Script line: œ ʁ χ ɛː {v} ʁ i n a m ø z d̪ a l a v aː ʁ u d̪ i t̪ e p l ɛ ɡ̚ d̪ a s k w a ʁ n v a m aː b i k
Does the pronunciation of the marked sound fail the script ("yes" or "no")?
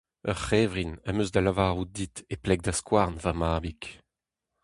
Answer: no